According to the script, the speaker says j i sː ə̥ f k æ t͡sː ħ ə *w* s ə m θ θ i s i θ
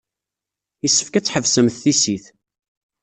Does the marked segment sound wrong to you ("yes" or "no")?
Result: yes